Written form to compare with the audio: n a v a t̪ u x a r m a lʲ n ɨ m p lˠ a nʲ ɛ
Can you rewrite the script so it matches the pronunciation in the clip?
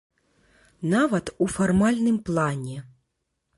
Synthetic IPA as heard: n a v ɐ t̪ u f a r m a lʲ n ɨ m p lˠ a nʲ ɛ